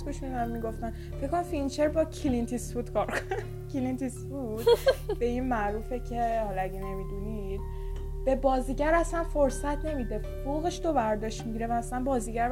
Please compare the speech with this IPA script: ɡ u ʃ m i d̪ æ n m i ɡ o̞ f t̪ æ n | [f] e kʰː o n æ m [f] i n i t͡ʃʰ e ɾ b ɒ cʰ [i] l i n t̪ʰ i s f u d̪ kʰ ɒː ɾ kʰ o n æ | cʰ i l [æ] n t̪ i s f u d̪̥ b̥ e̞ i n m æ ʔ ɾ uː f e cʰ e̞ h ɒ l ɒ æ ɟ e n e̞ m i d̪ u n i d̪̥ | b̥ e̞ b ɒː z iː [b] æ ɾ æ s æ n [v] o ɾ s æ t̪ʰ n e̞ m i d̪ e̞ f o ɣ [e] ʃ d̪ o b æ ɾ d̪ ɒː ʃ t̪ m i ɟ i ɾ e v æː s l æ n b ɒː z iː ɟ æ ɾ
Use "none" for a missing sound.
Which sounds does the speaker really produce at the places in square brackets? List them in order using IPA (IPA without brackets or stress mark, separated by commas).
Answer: f, f, i, i, ɟ, f, e